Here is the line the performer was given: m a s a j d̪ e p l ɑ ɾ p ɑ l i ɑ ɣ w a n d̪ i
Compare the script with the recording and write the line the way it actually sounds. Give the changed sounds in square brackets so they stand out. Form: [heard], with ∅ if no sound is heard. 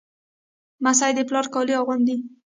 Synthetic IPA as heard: m a s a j d̪ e p l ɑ ɾ [k] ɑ l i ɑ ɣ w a n d̪ i